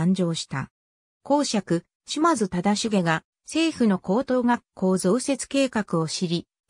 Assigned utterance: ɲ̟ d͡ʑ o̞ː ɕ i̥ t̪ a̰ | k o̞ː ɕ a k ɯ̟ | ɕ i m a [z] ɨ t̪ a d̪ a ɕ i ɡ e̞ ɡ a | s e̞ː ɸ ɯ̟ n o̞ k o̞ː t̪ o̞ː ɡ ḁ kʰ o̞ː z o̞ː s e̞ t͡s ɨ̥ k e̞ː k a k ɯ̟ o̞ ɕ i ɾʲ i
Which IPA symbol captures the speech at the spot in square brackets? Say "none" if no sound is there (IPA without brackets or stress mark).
z